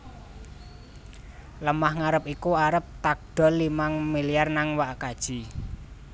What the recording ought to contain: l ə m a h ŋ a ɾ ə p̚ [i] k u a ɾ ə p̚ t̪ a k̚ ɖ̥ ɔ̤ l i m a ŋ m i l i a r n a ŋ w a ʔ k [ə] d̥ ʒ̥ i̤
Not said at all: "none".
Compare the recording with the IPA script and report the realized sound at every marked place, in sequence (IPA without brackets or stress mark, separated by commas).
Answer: i, a